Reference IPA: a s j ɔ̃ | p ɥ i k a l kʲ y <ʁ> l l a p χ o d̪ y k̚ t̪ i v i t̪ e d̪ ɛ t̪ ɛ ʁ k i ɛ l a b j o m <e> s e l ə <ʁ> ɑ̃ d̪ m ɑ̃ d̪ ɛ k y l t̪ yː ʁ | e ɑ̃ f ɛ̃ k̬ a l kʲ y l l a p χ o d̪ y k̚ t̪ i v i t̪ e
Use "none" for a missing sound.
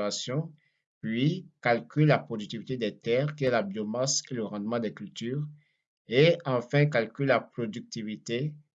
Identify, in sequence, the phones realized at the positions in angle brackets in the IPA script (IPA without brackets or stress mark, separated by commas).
none, a, ʁ